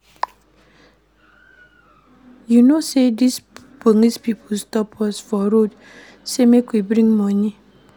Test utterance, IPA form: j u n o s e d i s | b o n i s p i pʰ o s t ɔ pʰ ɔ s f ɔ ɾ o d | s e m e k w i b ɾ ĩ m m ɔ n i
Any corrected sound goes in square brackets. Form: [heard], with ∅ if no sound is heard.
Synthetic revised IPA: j u n o s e d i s | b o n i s p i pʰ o s t ɔ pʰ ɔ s f ɔ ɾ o d | s e m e k w i b ɾ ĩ [ŋ] m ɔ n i

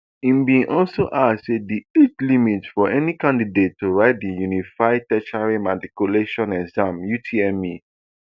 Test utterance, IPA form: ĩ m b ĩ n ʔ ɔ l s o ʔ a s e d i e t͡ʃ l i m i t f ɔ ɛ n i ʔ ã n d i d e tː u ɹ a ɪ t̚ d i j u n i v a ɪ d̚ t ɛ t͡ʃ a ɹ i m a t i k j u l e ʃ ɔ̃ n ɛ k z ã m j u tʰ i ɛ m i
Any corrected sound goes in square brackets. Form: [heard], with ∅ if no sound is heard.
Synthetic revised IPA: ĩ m b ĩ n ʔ ɔ l s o ʔ a s e d i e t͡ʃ l i m i t f ɔ ɛ n i [k] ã n d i d e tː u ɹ a ɪ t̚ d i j u n i [f] a ɪ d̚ t ɛ t͡ʃ a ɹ i m a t i k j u l e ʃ ɔ̃ n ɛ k z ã m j u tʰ i ɛ m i

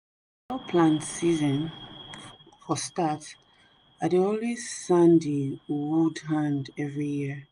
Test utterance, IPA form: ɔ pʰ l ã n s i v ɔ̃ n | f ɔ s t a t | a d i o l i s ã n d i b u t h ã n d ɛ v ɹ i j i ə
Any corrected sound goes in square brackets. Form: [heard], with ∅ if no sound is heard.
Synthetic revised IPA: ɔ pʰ l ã n s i [z] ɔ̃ n | f ɔ s t a t | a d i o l i s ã n d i [w] u [d] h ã n d ɛ v ɹ i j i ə

